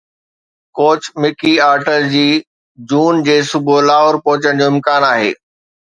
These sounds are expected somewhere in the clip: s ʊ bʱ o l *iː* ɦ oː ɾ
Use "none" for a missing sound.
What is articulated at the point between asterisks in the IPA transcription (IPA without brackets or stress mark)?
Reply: aː